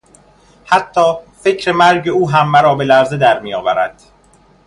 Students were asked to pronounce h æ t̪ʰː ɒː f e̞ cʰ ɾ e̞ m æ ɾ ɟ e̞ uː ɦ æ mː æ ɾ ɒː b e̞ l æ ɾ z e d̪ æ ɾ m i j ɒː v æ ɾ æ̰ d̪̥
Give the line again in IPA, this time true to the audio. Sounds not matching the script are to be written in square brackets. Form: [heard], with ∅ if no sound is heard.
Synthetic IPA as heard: h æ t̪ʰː ɒː f e̞ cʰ ɾ e̞ m æ ɾ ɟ e̞ uː ɦ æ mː æ ɾ ɒː b e̞ l æ ɾ z e d̪ æ ɾ m i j ɒː v æ ɾ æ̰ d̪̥

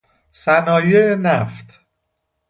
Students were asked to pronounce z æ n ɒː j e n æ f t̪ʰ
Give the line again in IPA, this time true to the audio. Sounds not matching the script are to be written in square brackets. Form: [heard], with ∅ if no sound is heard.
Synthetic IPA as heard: [s] æ n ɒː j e n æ f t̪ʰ

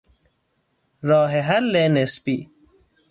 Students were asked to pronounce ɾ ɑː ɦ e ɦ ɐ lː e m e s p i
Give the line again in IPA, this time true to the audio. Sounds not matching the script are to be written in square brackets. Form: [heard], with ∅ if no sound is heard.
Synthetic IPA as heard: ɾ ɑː ɦ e ɦ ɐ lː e [n] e s p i

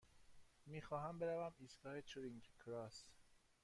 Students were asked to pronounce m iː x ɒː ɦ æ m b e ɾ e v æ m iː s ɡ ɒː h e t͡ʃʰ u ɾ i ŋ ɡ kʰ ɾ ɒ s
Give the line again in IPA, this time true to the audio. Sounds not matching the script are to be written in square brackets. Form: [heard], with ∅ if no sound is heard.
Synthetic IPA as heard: m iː x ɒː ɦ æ m b e ɾ [æ] v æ m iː s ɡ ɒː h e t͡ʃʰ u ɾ i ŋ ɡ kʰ ɾ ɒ s

